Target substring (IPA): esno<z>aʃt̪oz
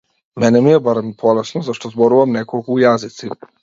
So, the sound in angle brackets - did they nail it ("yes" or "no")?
yes